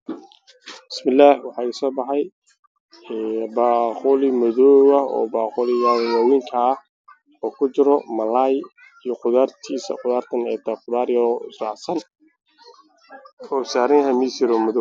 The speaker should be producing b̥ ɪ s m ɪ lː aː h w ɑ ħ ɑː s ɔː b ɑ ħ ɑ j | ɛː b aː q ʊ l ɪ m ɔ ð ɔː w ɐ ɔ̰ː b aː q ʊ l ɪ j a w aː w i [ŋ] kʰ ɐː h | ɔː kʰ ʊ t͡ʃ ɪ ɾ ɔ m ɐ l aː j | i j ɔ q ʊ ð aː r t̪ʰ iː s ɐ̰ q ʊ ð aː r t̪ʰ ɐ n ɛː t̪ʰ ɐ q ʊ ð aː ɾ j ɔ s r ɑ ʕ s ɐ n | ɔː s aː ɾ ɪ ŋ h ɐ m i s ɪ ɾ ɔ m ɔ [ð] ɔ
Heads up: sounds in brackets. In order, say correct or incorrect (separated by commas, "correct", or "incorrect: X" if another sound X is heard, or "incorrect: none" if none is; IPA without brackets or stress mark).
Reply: correct, correct